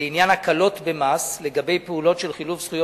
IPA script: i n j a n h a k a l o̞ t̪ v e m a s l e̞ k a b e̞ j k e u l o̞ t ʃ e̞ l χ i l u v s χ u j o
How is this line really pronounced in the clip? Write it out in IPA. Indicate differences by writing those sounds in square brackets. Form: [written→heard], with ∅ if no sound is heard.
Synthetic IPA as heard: i n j a n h a k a l o̞ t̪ [v→b] e m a s l e̞ [k→ɡ] a b e̞ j [k→p] e u l o̞ t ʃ e̞ l χ i l u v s χ u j o